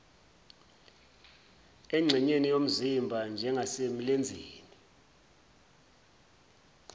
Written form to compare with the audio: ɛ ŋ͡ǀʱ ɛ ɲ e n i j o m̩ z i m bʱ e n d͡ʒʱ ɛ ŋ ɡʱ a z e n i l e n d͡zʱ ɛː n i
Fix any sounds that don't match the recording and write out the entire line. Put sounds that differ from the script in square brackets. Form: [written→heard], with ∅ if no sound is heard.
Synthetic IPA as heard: ɛ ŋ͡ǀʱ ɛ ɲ e n i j o m̩ z i m bʱ [e→a] n d͡ʒʱ ɛ ŋ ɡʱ a [z→s] e [n→m] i l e n d͡zʱ [ɛː→iː] n i